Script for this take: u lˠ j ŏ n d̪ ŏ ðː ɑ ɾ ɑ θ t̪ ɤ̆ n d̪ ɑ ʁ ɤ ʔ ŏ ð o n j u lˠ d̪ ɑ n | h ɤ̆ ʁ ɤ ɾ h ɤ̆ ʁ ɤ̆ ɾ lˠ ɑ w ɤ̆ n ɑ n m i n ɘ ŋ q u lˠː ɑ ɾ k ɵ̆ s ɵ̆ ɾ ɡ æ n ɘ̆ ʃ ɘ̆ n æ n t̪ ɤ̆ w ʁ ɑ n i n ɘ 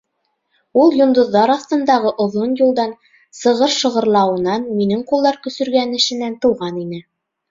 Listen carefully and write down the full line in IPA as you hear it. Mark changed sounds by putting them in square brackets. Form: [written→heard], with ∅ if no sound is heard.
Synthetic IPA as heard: u lˠ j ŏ n d̪ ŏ ðː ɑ ɾ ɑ θ t̪ ɤ̆ n d̪ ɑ ʁ ɤ ʔ ŏ ð o n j u lˠ d̪ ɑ n | [h→s] ɤ̆ ʁ ɤ ɾ [h→ʃ] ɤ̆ ʁ ɤ̆ ɾ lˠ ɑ w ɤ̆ n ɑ n m i n ɘ ŋ q u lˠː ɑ ɾ k ɵ̆ s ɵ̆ ɾ ɡ æ n ɘ̆ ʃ ɘ̆ n æ n t̪ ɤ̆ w ʁ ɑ n i n ɘ